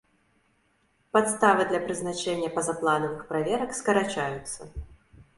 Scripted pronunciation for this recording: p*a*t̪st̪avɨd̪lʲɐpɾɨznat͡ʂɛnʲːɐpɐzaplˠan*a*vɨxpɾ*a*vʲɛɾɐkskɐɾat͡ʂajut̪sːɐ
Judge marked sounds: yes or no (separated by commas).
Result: yes, no, yes